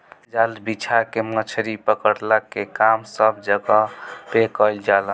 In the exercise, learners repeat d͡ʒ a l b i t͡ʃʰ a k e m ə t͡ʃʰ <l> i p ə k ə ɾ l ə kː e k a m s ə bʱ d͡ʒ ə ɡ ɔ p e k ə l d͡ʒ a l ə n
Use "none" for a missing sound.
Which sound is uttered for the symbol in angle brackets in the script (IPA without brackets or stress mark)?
ɾ